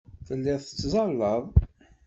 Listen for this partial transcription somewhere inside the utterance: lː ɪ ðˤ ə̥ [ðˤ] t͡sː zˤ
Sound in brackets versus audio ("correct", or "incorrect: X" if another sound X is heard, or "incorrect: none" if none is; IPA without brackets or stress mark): incorrect: none